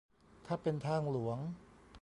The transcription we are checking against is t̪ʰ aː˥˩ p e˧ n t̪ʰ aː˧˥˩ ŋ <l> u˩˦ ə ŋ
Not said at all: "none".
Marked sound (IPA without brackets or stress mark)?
l